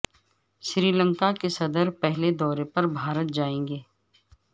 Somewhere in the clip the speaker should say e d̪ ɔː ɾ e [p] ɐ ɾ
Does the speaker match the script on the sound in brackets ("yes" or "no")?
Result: yes